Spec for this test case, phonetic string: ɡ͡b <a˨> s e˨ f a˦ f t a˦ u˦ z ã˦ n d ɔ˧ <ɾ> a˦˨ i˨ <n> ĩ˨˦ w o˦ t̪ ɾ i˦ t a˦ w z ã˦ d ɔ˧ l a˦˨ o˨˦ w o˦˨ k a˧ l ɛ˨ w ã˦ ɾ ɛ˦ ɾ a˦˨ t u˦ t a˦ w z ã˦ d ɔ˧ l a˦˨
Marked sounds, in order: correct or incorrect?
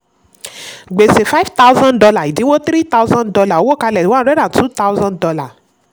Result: incorrect: e˨, incorrect: l, incorrect: d

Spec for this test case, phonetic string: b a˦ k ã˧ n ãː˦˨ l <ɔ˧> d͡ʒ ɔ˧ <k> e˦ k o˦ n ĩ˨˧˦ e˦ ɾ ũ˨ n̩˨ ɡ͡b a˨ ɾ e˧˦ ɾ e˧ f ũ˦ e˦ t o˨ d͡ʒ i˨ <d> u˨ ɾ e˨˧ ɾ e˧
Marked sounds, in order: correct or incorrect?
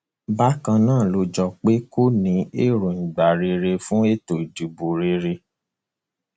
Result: incorrect: o˧, incorrect: k͡p, incorrect: b

